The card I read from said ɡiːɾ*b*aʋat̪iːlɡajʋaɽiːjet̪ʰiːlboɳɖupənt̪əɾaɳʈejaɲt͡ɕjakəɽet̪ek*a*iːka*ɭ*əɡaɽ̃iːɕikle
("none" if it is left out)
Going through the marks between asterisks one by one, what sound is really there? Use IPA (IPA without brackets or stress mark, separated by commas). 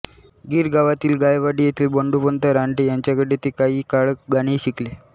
ɡ, a, ɭ